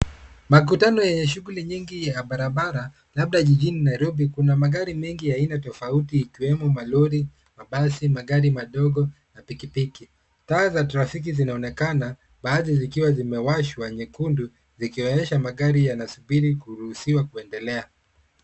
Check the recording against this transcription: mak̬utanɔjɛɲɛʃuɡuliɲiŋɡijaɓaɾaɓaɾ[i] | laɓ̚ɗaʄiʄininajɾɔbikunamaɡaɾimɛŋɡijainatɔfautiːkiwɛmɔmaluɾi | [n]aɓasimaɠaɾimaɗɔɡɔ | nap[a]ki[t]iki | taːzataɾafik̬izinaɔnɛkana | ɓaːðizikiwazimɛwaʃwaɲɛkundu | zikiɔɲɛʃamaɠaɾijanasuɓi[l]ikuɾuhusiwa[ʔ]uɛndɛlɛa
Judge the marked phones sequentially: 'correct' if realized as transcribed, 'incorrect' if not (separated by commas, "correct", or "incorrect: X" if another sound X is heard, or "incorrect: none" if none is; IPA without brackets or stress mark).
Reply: incorrect: a, incorrect: m, incorrect: i, incorrect: p, incorrect: ɾ, incorrect: k